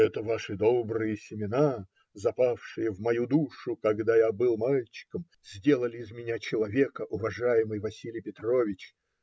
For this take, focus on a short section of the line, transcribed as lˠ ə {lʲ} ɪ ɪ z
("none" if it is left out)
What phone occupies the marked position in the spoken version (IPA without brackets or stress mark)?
lʲ